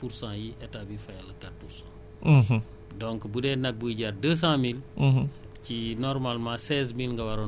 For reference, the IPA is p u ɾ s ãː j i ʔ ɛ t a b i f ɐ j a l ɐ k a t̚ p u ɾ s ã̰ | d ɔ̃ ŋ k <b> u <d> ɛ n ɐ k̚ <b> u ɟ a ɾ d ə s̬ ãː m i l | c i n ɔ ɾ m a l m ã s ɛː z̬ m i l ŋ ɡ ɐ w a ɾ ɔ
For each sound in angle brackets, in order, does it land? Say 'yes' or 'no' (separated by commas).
yes, yes, yes